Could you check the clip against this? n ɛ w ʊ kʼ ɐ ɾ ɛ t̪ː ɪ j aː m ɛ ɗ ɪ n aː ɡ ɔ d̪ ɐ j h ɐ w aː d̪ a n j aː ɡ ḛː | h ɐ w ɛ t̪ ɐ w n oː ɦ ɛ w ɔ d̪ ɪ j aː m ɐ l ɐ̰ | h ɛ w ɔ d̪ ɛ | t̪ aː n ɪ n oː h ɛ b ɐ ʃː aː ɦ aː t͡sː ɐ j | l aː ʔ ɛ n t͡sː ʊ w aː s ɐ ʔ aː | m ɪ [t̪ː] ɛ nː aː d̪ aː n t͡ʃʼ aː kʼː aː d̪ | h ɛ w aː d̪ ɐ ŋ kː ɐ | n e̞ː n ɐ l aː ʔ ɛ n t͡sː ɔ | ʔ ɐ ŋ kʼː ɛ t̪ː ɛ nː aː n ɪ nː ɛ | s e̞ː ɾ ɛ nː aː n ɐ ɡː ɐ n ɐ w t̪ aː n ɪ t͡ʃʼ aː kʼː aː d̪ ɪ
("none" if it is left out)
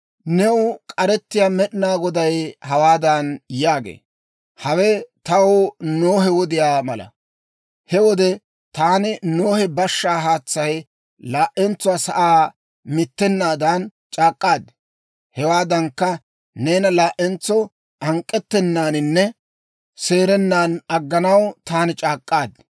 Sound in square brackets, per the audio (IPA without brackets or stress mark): t̪ː